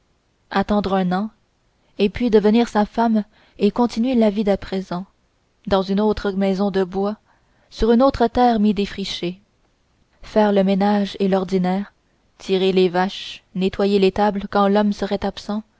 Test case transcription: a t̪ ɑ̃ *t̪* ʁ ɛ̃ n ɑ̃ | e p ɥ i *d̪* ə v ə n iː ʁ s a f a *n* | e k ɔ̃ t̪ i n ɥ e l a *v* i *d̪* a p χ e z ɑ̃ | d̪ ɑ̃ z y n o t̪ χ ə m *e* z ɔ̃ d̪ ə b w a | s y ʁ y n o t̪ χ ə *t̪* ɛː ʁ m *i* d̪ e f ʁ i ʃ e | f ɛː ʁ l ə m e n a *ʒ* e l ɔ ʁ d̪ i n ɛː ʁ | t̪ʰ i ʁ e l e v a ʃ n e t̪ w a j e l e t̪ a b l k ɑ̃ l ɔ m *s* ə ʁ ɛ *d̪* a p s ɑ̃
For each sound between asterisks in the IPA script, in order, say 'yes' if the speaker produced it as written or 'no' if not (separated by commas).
no, yes, no, yes, yes, no, yes, yes, yes, yes, no